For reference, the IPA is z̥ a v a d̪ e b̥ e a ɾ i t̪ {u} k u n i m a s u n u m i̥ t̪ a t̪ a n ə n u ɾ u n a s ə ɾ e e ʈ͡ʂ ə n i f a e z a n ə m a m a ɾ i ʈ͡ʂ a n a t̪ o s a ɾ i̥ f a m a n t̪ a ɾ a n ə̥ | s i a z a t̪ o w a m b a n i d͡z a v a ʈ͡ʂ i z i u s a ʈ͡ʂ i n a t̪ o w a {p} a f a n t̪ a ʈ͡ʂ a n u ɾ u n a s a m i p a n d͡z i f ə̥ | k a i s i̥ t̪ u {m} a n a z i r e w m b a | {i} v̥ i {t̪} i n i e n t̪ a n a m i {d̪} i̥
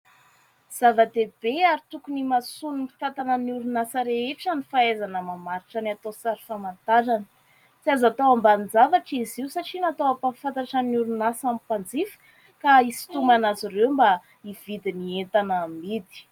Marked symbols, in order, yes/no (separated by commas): yes, yes, yes, yes, no, yes